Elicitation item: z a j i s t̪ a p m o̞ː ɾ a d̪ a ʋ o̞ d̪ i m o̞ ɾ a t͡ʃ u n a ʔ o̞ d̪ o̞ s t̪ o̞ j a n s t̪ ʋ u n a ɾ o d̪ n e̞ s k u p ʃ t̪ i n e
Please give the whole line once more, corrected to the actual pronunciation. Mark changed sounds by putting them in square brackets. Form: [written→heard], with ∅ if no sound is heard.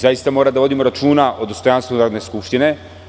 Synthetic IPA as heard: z a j i s t̪ a [p→∅] m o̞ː ɾ a d̪ a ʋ o̞ d̪ i m o̞ ɾ a t͡ʃ [u→uː] n a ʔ o̞ d̪ o̞ s t̪ o̞ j a n s t̪ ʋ u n a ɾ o d̪ n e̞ s k u p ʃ t̪ i n e